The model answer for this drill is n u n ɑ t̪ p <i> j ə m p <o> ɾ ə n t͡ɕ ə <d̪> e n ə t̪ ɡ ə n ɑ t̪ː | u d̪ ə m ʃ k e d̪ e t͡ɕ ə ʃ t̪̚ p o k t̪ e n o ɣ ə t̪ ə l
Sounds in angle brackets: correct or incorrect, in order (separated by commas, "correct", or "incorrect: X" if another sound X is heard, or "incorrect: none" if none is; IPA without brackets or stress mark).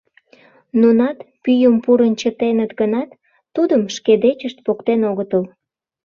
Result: incorrect: y, incorrect: u, incorrect: t̪